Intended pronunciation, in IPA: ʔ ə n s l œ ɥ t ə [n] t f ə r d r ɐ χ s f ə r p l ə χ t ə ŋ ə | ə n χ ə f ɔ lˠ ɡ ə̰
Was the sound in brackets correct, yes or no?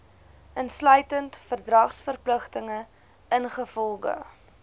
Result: yes